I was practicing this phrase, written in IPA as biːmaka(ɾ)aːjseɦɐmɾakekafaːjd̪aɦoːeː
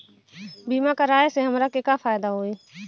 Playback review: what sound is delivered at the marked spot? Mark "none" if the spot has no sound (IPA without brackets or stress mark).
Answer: ɾ